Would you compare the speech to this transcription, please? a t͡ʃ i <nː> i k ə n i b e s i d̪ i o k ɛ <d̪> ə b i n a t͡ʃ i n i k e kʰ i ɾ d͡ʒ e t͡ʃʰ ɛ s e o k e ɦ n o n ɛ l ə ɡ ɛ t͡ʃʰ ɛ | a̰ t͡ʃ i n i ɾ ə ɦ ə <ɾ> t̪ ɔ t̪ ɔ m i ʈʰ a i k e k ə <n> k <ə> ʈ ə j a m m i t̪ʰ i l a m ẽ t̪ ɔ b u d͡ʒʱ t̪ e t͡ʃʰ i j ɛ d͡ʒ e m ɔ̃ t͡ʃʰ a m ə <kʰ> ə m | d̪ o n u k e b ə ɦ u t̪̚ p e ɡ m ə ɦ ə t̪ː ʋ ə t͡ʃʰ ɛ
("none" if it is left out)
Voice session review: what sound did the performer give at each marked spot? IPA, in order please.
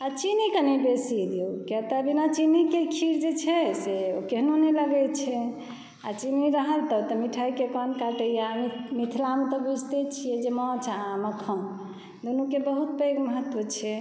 n, t̪, l, n, a, kʰ

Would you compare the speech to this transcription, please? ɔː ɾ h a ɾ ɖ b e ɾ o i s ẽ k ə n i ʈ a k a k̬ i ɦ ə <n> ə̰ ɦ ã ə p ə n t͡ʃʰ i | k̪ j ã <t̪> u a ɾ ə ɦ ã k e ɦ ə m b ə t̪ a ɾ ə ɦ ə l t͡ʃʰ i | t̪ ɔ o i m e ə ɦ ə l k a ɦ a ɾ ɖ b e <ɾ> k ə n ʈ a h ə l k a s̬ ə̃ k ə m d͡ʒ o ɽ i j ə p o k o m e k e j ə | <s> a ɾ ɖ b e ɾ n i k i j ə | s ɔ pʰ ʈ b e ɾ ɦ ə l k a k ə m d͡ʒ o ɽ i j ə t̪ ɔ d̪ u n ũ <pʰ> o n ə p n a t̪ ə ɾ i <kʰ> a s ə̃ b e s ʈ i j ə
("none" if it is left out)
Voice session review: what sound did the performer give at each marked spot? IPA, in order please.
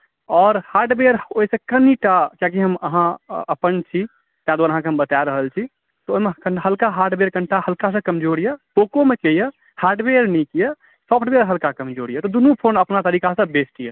m, d̪, ɾ, h, pʰ, k

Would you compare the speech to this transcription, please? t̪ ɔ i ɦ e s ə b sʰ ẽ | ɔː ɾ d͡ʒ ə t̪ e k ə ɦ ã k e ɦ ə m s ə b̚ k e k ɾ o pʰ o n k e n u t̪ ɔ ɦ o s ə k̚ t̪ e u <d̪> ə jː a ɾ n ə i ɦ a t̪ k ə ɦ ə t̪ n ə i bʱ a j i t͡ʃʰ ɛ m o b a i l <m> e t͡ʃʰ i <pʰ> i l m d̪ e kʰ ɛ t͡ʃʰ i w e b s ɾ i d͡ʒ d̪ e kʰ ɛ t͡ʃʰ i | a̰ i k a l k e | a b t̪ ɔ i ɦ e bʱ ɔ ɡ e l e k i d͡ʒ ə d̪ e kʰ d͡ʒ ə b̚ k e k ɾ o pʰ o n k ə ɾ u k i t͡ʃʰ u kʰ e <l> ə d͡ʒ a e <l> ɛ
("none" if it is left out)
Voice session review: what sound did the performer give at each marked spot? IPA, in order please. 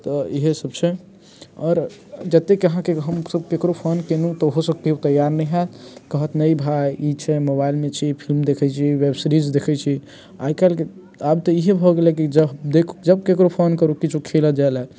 t̪, m, pʰ, l, l

